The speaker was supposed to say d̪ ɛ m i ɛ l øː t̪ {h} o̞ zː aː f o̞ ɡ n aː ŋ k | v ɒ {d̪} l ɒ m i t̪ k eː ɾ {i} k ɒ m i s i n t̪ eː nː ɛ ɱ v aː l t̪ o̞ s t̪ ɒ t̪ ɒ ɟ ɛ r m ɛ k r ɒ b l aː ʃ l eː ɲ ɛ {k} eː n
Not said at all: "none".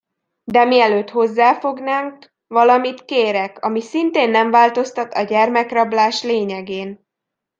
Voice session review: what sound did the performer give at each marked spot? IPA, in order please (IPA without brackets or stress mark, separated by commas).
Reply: h, none, ɛ, ɡ